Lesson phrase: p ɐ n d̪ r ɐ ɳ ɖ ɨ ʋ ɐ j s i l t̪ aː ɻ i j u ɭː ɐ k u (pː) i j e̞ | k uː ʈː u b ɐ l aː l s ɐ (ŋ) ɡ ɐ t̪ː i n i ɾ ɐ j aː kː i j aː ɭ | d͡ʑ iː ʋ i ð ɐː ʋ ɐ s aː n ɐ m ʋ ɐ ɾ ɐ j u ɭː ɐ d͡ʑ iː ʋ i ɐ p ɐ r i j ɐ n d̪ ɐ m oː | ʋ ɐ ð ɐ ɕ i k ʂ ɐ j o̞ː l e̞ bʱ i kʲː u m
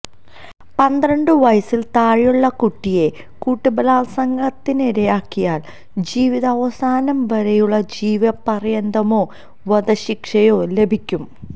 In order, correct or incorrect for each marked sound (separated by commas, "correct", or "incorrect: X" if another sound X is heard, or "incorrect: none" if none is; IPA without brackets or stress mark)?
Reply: incorrect: ʈː, correct